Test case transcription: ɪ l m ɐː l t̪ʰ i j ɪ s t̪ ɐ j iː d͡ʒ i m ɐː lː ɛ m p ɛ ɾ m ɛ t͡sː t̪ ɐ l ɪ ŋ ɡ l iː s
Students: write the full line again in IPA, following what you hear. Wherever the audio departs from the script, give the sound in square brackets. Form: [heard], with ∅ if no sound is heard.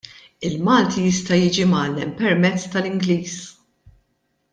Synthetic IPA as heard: ɪ l m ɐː l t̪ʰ i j ɪ s t̪ ɐ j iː d͡ʒ i m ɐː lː ɛ m p ɛ ɾ m ɛ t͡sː t̪ ɐ l ɪ ŋ ɡ l iː s